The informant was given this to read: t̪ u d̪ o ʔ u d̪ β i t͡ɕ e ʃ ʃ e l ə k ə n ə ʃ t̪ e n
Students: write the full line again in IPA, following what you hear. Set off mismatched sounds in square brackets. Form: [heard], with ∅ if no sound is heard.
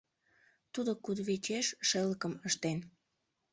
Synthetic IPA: t̪ u d̪ o [k] u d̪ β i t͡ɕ e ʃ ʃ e l ə k ə [m] ə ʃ t̪ e n